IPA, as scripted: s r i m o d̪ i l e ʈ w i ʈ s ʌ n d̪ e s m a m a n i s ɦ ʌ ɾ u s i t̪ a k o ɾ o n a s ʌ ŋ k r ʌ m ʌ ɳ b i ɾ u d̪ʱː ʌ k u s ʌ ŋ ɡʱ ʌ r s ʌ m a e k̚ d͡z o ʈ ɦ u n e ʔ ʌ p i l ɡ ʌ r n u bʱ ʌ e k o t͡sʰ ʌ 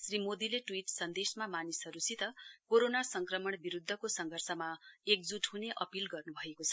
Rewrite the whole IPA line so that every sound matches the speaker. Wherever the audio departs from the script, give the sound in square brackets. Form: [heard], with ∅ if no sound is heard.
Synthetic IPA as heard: s r i m o d̪ i l e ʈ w i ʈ s ʌ n d̪ e s m a m a n i s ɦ ʌ ɾ u s i t̪ [ʌ] k o ɾ o n a s ʌ ŋ k r ʌ m ʌ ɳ b i ɾ u d̪ʱː ʌ k [o] s ʌ ŋ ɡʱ ʌ r s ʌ m a e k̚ d͡z [u] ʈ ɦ u n e ʔ ʌ p i l ɡ ʌ r n u bʱ ʌ e k o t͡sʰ ʌ